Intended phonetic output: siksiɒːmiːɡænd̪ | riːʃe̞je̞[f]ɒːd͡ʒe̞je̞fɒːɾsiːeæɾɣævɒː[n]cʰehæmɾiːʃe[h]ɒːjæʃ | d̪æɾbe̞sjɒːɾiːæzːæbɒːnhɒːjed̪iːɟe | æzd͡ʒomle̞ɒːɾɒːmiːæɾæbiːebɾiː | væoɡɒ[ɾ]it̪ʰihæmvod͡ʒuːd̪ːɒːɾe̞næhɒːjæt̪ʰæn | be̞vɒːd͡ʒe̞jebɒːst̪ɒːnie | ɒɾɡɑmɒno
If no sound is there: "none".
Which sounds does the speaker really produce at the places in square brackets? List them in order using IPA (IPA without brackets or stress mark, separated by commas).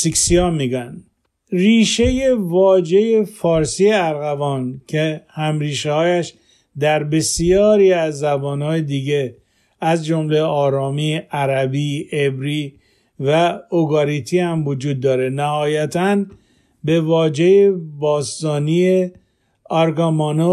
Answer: v, n, h, ɾ